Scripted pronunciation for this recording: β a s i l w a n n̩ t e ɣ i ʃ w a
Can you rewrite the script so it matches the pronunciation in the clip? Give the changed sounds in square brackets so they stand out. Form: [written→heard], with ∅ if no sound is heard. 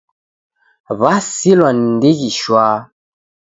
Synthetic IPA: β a s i l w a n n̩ [t→d] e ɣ i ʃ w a